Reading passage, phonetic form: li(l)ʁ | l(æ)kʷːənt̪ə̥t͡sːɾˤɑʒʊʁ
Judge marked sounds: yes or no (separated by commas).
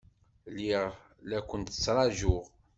no, yes